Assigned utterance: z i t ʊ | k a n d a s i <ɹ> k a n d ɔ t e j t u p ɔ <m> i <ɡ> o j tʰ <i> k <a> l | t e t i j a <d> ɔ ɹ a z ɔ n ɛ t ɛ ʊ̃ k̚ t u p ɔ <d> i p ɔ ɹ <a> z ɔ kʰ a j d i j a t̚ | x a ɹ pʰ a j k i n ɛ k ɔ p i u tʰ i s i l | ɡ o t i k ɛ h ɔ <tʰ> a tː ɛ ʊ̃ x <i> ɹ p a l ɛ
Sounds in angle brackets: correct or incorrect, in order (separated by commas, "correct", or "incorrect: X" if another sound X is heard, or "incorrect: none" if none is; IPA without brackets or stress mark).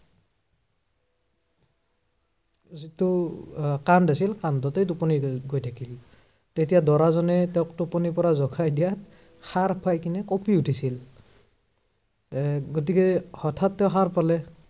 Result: incorrect: l, incorrect: n, correct, incorrect: a, incorrect: i, correct, incorrect: n, correct, correct, incorrect: a